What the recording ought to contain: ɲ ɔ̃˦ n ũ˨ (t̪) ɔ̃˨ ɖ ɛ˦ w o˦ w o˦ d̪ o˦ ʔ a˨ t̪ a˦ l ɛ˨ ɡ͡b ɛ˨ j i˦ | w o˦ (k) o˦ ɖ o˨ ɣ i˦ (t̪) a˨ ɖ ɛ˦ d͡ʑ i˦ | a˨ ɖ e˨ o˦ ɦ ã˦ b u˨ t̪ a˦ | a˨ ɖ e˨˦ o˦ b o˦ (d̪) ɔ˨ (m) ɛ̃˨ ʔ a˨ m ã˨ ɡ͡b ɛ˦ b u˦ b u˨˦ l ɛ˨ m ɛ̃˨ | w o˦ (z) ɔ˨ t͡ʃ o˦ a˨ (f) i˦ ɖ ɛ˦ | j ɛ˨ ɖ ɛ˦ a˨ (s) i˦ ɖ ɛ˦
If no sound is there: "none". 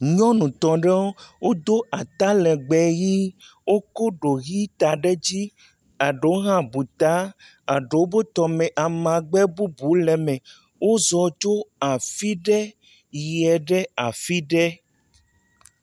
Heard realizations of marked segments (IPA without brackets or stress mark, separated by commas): t̪, k, t̪, t̪, m, z, f, f